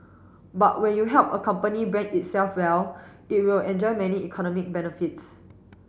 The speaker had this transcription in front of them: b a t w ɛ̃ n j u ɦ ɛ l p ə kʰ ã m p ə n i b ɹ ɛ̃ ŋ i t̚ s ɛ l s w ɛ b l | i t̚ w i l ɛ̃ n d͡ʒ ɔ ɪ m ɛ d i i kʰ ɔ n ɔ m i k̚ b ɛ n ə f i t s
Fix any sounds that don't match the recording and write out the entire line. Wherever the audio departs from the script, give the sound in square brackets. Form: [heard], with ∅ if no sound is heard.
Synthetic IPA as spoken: b a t w ɛ̃ n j u ɦ ɛ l p ə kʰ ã m p ə n i b ɹ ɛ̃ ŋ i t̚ s ɛ l [f] w ɛ [∅] l | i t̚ w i l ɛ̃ n d͡ʒ ɔ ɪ m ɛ [n] i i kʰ ɔ n ɔ m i k̚ b ɛ n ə f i t s